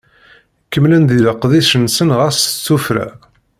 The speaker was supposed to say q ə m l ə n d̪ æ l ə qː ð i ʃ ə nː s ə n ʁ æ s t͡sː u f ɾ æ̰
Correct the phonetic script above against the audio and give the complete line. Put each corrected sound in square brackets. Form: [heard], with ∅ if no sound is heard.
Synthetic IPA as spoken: [k] ə m l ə n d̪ [i] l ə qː ð i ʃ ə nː s ə n ʁ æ s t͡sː u f ɾ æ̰